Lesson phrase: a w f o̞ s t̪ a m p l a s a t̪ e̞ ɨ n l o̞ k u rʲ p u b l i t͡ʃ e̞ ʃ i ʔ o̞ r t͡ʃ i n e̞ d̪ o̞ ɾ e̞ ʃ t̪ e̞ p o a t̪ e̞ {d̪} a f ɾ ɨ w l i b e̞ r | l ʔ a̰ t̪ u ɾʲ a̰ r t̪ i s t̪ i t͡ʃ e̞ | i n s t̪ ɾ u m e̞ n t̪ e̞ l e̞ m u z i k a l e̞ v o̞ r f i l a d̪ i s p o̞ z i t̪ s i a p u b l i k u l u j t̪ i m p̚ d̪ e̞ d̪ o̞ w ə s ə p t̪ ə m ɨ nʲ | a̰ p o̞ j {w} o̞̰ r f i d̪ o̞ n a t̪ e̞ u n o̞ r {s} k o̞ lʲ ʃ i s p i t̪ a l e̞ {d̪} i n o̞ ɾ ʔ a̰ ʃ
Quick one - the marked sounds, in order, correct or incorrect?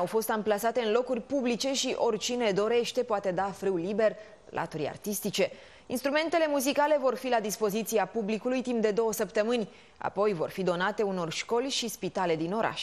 correct, incorrect: v, incorrect: ʃ, correct

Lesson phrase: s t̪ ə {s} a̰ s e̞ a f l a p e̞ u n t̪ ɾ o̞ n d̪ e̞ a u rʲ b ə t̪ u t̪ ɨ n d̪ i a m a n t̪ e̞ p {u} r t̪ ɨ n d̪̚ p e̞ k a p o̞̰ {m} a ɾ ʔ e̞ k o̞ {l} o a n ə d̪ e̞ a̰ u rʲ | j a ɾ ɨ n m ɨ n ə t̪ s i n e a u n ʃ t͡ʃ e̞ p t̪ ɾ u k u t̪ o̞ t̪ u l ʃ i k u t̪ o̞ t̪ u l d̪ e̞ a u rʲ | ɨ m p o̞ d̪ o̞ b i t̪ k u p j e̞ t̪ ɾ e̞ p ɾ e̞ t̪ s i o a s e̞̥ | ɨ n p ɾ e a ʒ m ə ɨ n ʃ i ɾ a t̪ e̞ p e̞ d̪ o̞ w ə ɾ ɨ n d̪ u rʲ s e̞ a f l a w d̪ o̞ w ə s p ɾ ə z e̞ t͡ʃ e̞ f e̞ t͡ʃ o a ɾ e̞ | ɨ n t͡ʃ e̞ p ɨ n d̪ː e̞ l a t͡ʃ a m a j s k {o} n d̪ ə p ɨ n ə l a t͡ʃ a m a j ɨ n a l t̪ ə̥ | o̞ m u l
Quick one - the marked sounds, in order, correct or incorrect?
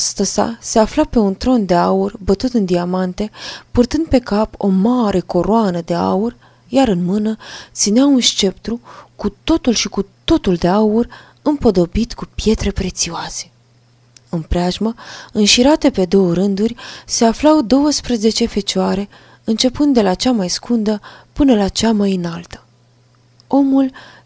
correct, correct, correct, incorrect: ɾ, incorrect: u

